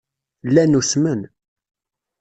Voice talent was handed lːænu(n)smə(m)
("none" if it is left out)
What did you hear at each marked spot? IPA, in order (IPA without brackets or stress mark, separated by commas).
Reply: none, n